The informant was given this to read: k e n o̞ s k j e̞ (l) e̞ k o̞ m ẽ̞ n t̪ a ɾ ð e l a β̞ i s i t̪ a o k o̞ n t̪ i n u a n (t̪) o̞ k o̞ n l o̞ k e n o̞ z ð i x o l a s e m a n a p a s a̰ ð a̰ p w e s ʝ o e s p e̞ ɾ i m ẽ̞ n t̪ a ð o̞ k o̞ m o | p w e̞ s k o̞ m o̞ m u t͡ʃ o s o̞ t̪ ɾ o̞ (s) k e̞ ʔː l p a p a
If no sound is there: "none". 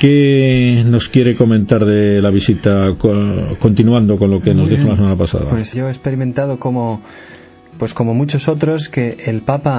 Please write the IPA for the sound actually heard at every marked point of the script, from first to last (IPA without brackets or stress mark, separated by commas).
ɾ, d̪, s